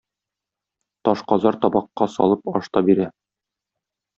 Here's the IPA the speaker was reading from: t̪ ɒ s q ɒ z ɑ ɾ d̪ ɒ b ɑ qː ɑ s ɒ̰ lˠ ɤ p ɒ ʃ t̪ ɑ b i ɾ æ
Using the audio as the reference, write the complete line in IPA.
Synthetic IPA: t̪ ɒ ʃ q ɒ z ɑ ɾ t̪ ɒ b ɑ qː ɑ s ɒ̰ lˠ ɤ p ɒ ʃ t̪ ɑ b i ɾ æ